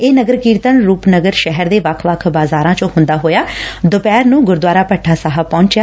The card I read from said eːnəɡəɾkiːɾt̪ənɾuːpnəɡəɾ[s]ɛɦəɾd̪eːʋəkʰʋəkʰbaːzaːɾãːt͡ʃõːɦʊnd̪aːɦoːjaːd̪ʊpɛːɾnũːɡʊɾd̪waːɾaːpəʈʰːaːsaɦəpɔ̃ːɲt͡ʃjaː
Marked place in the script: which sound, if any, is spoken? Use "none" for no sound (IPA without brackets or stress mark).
ʃ